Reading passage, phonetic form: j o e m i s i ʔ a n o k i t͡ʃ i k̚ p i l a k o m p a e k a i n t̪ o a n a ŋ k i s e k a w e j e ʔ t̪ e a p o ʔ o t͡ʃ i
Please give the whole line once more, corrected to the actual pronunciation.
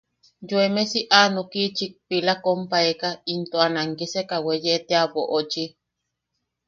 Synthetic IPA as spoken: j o e m e s i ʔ a n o k i t͡ʃ i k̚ p i l a k o m p a e k a i n t̪ o a n a ŋ k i s e k a w e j e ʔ t̪ e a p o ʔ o t͡ʃ i